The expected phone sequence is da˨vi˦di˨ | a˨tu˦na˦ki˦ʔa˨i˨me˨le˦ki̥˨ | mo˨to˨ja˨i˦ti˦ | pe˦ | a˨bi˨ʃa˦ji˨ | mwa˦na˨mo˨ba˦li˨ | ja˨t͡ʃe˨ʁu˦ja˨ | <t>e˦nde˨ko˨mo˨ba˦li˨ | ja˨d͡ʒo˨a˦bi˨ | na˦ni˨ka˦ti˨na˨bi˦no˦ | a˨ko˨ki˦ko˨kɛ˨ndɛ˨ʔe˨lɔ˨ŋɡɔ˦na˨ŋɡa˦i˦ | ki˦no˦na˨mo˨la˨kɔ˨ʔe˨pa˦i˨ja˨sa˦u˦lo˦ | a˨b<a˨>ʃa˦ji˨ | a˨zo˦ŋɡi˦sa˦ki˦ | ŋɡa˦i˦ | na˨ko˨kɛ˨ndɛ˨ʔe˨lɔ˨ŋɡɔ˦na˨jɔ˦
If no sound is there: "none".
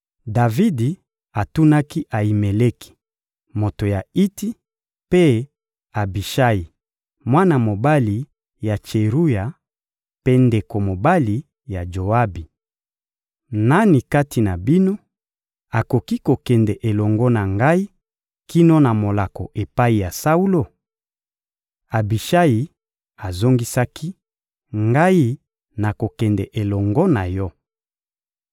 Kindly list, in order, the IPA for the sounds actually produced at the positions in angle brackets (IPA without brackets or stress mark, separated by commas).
p, i˨